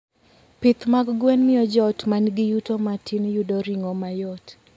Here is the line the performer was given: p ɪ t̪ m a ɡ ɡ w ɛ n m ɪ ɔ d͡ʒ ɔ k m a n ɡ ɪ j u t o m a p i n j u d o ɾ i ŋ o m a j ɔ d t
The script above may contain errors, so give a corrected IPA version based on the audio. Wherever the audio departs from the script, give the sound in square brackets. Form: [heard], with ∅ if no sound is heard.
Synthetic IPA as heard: p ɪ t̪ m a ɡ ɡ w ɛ n m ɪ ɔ d͡ʒ ɔ [t] m a n ɡ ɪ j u t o m a [t] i n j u d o ɾ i ŋ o m a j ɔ [∅] t